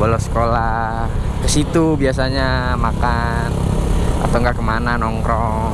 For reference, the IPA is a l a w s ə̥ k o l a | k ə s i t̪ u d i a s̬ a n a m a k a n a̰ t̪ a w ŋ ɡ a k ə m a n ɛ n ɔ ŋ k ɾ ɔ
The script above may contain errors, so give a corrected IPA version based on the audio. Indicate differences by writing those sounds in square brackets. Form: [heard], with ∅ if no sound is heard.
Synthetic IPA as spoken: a l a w s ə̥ k o l a | k ə s i t̪ u [b] i a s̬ a [ɲ] a m a k a n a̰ t̪ a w ŋ ɡ a k ə m a n [a] n ɔ ŋ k ɾ ɔ